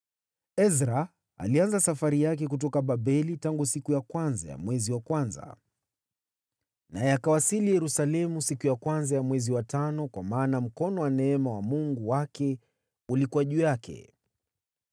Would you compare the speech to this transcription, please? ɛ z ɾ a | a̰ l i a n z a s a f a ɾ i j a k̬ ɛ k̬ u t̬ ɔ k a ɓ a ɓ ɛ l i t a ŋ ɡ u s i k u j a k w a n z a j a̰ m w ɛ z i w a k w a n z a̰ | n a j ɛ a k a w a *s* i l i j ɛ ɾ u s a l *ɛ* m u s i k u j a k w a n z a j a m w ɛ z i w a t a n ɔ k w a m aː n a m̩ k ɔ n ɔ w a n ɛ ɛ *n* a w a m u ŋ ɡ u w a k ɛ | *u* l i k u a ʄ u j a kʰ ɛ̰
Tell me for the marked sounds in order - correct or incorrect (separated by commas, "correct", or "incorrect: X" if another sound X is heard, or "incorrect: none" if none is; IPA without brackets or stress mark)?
correct, correct, incorrect: m, correct